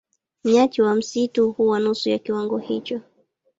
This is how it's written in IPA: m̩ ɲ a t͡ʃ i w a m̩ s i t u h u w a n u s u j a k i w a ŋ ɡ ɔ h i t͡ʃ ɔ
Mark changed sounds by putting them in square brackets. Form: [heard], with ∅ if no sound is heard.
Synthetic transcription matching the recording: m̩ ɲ a t͡ʃ i w a m̩ s i t u h u w a n u s u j a k i w a ŋ ɡ ɔ h i t͡ʃ ɔ